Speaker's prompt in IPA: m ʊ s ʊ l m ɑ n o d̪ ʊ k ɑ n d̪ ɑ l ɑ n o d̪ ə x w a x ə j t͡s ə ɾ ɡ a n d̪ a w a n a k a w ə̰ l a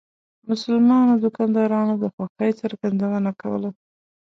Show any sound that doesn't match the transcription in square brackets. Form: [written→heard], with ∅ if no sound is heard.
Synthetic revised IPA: m ʊ s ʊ l m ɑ n o d̪ ʊ k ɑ n d̪ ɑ [l→ɾ] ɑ n o d̪ ə x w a x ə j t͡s ə ɾ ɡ a n d̪ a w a n a k a w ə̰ l a